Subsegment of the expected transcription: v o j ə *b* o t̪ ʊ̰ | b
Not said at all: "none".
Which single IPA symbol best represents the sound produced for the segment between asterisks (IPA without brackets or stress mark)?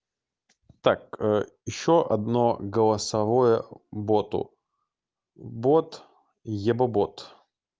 b